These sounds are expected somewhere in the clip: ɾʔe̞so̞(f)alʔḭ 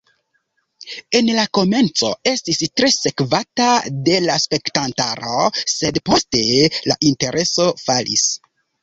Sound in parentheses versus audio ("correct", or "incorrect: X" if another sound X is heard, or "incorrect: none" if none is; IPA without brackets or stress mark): correct